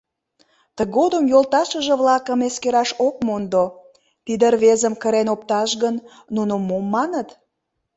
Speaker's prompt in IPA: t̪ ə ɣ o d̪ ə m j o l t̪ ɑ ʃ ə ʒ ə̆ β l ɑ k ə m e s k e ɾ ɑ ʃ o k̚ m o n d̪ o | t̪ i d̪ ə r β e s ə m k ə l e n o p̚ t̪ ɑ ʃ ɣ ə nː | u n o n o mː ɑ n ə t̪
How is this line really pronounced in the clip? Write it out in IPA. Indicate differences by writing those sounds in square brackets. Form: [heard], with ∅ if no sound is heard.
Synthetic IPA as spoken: t̪ ə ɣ o d̪ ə m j o l t̪ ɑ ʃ ə ʒ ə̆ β l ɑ k ə m e s k e ɾ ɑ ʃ o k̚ m o n d̪ o | t̪ i d̪ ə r β e [z] ə m k ə [ɾ] e n o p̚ t̪ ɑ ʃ ɣ ə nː | u n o [m] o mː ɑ n ə t̪